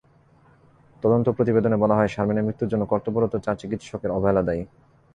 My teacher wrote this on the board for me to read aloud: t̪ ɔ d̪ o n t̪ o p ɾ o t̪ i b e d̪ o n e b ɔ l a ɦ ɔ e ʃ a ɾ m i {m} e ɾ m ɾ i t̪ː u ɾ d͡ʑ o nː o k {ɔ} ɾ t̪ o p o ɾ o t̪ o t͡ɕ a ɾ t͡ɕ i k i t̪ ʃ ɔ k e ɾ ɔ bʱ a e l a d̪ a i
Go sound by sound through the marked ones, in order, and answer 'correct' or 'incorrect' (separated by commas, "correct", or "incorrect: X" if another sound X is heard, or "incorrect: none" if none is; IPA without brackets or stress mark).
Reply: incorrect: n, correct